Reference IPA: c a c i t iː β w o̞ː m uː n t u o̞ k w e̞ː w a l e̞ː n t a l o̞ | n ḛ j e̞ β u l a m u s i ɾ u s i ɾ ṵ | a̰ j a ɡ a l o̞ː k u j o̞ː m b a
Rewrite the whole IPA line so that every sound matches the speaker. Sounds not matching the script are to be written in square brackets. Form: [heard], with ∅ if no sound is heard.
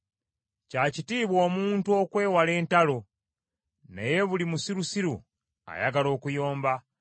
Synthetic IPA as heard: c a c i t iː β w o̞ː m uː n t u o̞ k w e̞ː w a l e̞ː n t a l o̞ | n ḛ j e̞ β u l [i] m u s i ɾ u s i ɾ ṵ | a̰ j a ɡ a l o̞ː k u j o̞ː m b a

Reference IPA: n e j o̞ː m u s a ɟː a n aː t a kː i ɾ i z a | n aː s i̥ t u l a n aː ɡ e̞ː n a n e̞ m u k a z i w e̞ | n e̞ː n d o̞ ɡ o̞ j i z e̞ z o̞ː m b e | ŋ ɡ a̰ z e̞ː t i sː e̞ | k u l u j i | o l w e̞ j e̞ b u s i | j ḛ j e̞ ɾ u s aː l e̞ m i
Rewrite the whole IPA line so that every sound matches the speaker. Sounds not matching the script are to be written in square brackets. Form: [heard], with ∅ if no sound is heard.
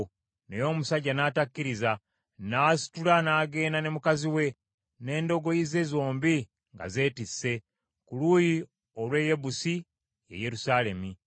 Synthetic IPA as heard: n e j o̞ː m u s a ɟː a n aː t a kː i ɾ i z a | n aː s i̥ t u l a n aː ɡ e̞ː n a n e̞ m u k a z i w e̞ | n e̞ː n d o̞ ɡ o̞ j i z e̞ z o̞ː m b [i] | ŋ ɡ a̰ z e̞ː t i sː e̞ | k u l u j i | o l w e̞ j e̞ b u s i | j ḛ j e̞ ɾ u s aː l e̞ m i

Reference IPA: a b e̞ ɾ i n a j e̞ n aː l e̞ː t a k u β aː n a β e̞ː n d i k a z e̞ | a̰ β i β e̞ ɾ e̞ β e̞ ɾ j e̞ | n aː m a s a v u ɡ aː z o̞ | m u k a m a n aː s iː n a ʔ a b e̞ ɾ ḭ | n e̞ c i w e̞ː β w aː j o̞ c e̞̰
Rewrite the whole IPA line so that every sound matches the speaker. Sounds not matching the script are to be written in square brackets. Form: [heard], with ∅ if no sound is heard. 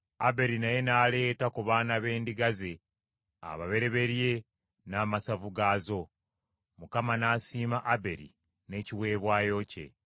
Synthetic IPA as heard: a b e̞ ɾ i n a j e̞ n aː l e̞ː t a k u β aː n a β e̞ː n d i [ɡ] a z e̞ | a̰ β [a] β e̞ ɾ e̞ β e̞ ɾ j e̞ | n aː m a s a v u ɡ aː z o̞ | m u k a m a n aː s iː [m] a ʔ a b e̞ ɾ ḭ | n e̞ c i w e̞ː β w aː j o̞ c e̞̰

